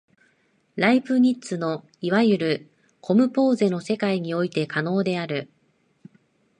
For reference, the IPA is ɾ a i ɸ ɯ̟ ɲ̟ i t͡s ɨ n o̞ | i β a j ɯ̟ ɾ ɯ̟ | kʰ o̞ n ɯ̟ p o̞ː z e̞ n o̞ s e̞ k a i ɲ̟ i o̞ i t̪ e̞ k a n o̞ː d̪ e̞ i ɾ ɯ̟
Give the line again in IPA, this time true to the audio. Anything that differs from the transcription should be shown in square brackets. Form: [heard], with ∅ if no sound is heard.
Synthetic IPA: ɾ a i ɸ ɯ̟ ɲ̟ i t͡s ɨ n o̞ | i β a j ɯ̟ ɾ ɯ̟ | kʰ o̞ [m] ɯ̟ p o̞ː z e̞ n o̞ s e̞ k a i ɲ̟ i o̞ i t̪ e̞ k a n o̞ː d̪ e̞ [a] ɾ ɯ̟

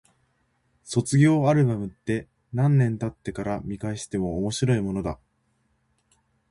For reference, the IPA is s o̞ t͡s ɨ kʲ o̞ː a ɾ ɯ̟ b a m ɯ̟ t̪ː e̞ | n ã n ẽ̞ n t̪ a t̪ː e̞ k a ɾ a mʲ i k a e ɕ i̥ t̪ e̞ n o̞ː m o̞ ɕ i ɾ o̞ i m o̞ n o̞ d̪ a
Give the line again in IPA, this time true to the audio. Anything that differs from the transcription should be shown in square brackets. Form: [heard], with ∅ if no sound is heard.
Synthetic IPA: s o̞ t͡s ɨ [ɡʲ] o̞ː a ɾ ɯ̟ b a m ɯ̟ t̪ː e̞ | n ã [nː] ẽ̞ n t̪ a t̪ː e̞ k a ɾ a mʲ i k a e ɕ i̥ t̪ e̞ [m] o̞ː m o̞ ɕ i ɾ o̞ i m o̞ n o̞ d̪ a

